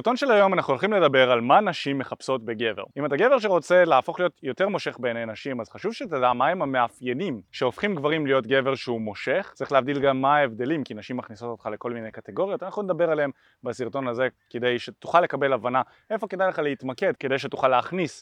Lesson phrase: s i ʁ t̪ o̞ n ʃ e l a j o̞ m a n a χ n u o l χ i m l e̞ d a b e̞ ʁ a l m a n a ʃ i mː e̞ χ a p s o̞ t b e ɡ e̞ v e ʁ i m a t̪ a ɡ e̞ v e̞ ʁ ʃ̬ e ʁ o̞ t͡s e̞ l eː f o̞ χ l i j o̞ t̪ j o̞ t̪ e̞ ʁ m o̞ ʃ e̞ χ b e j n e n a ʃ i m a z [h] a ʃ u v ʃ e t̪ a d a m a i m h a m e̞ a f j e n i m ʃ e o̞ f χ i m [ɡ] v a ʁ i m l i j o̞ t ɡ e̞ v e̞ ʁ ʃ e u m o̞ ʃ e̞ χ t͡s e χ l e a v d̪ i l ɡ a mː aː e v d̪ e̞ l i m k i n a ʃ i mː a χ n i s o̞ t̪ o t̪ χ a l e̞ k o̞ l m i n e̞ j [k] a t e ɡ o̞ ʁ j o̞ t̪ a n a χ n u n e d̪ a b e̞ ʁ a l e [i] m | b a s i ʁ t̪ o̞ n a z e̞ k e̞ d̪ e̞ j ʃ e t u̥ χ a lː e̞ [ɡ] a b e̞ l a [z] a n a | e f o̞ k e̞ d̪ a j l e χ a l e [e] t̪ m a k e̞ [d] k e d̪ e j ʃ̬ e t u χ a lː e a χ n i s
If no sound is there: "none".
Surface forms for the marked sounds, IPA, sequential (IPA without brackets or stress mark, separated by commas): χ, ɡ, k, e, k, v, i, d